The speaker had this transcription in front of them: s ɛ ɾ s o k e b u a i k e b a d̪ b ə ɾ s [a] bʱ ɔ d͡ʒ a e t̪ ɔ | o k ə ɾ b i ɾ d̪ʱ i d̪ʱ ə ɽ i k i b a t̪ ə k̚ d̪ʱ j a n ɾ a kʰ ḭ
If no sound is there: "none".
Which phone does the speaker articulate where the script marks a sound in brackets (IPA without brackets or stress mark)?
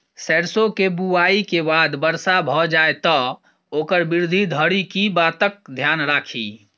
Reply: a